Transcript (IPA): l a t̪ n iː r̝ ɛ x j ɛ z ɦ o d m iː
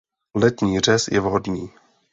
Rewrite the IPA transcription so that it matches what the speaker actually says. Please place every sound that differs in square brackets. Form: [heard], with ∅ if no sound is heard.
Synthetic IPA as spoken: l [ɛ] t̪ [ɲ] iː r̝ ɛ [s] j ɛ [v] ɦ o d [ɲ] iː